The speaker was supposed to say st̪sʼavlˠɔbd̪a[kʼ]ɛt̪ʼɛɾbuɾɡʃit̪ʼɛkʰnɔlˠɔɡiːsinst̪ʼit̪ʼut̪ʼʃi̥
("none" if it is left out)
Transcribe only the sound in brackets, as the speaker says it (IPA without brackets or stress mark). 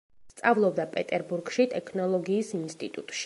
pʼ